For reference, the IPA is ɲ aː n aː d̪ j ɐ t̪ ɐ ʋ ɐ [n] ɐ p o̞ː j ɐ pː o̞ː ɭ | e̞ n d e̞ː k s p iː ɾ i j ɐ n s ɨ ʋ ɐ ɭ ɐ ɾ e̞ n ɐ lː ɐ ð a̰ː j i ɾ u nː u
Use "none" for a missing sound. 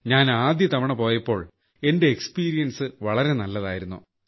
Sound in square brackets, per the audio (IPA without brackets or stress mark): ɳ